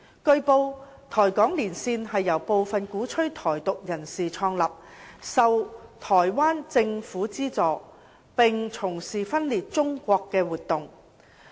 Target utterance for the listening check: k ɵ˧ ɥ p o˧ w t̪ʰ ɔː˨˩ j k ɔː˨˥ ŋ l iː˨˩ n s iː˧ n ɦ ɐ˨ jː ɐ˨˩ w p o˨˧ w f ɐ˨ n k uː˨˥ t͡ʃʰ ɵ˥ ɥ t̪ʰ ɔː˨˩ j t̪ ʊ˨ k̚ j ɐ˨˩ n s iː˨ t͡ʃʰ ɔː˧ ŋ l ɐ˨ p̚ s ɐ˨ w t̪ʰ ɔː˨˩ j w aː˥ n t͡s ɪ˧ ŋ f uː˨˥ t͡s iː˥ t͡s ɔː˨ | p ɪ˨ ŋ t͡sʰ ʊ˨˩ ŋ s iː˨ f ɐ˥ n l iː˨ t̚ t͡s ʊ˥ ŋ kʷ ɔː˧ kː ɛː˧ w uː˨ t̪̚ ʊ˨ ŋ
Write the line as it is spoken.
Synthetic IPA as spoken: k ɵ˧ ɥ p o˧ w t̪ʰ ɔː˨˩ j k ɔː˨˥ ŋ l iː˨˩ n s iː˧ n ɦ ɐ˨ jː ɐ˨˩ w p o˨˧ w f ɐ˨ n k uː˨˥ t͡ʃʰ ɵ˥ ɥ t̪ʰ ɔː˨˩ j t̪ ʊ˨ k̚ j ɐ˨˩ n s iː˨ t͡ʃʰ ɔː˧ ŋ l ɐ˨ p̚ s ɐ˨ w t̪ʰ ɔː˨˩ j w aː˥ n t͡s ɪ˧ ŋ f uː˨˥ t͡s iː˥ t͡s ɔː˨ | p ɪ˨ ŋ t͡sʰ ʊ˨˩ ŋ s iː˨ f ɐ˥ n l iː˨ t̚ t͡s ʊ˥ ŋ kʷ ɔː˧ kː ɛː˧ w uː˨ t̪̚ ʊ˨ ŋ